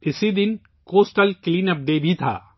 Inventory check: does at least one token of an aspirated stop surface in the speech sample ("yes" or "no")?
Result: yes